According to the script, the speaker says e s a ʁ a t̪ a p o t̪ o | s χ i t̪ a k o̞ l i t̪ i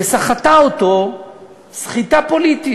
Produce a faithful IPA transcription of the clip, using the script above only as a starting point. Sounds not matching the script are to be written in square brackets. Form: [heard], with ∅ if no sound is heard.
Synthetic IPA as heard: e s a [χ] a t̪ a [∅] o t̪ o | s χ i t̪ a [p] o̞ l i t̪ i

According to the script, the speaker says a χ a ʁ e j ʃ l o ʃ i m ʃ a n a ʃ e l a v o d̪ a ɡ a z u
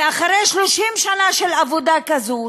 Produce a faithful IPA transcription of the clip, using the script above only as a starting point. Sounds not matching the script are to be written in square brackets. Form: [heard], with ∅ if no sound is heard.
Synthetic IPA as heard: a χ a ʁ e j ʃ l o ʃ i m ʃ a n a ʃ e l a v o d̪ a [k] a z u

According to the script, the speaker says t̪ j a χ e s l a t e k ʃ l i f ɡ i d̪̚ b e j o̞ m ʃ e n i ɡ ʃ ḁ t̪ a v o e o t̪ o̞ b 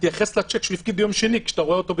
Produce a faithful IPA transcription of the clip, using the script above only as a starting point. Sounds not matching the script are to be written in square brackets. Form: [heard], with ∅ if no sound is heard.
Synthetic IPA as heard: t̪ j a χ e s l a [t͡ʃ] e k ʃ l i f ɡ i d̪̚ b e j o̞ m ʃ e n i [k] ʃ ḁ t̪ a [ʁ] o e o t̪ o̞ b

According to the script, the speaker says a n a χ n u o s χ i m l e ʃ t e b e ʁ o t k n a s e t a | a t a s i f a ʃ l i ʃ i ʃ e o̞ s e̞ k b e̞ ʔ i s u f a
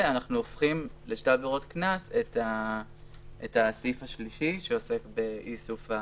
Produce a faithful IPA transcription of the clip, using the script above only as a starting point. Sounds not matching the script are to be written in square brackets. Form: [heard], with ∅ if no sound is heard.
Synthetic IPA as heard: a n a χ n u o [f] χ i m l e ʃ t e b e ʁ o t k n a s e t a | [e] t a s i f a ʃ l i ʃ i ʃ e o̞ s e̞ k b e̞ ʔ i s u f a

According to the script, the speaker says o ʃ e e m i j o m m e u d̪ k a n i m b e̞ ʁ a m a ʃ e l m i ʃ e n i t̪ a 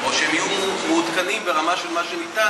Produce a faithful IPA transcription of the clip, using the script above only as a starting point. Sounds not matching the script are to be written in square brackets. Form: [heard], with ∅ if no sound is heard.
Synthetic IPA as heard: o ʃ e e m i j [u] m m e u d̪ k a n i m b e̞ ʁ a m a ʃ e l m [a] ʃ e n i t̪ a

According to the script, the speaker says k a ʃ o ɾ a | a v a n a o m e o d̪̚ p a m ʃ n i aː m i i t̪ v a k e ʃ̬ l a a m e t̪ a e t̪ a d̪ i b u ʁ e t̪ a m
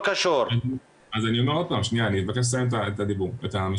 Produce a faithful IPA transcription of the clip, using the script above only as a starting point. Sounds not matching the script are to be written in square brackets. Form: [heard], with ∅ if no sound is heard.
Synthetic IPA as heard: k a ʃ o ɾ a | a [z] a n [i] o m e o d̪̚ p a m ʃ n i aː [n] i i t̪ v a k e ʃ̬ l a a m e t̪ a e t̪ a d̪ i b u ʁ e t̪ a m

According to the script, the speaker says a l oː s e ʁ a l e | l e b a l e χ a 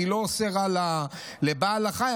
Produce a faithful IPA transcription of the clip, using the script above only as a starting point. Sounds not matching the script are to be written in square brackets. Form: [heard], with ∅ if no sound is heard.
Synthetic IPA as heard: [i] l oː s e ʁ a l [a] | l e b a l [a] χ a

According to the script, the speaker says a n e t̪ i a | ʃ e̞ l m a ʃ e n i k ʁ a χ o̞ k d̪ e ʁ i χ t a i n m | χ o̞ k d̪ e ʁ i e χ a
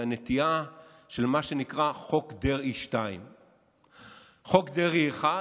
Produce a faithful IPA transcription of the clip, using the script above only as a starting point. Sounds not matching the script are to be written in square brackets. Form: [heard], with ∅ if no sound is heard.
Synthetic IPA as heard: a n e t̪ i a | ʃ e̞ l m a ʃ e n i k ʁ a χ o̞ k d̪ e ʁ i [ʃ] t a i [∅] m | χ o̞ k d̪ e ʁ i e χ a

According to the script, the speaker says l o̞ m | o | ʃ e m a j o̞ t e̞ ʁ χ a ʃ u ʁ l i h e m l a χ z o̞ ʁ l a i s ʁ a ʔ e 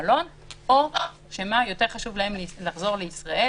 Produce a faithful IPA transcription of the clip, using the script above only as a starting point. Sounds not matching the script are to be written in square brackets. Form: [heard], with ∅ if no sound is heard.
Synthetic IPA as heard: l o̞ [n] | o | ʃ e m a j o̞ t e̞ ʁ χ a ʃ u [v] l [a] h e m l a χ z o̞ ʁ l [e] i s ʁ a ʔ e

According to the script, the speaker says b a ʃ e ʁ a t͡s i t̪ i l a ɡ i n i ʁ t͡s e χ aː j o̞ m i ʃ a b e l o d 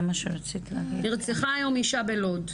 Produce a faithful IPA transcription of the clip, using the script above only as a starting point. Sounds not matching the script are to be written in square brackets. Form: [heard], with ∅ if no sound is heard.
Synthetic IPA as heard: [m] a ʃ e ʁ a t͡s i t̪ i l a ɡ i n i ʁ t͡s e χ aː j o̞ m i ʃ a b e l o d

